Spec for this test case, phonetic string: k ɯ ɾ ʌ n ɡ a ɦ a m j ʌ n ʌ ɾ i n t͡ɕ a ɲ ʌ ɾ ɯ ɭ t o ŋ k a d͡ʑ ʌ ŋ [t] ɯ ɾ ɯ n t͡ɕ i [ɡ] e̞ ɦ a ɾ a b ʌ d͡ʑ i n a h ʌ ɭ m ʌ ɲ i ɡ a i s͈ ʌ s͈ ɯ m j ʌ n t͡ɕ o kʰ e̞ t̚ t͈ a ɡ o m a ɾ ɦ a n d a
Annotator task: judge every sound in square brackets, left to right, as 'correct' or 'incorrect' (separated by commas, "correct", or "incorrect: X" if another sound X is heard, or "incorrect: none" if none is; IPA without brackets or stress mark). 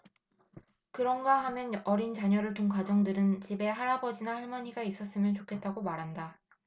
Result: incorrect: d, incorrect: b